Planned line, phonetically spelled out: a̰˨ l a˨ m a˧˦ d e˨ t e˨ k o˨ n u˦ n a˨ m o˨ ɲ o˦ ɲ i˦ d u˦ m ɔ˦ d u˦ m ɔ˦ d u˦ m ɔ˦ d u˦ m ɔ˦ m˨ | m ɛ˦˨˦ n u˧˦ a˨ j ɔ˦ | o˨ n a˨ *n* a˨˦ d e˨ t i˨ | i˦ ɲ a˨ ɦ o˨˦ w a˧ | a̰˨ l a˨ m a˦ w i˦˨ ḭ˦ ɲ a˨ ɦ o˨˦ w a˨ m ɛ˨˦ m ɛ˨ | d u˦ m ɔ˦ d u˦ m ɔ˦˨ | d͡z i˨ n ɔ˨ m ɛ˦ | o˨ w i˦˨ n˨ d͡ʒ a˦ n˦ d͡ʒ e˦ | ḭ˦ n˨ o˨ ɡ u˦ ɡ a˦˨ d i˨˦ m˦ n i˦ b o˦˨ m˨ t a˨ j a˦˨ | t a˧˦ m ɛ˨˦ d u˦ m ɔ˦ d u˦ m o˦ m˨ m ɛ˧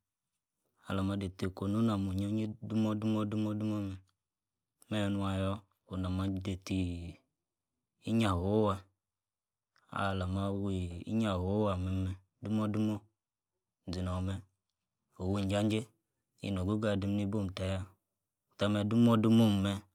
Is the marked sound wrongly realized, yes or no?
yes